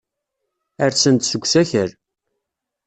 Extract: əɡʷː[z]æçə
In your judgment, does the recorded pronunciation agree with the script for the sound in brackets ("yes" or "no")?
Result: no